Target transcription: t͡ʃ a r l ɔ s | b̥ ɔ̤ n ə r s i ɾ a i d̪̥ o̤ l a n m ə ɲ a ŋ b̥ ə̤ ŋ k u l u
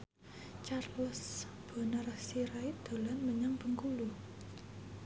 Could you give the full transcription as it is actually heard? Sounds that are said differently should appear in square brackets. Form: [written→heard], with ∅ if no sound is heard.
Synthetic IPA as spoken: t͡ʃ a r l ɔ s | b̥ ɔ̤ n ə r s i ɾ a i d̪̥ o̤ l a n m ə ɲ a ŋ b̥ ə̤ ŋ k u l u